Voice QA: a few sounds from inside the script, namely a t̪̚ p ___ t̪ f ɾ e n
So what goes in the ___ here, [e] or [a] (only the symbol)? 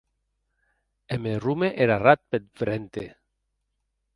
e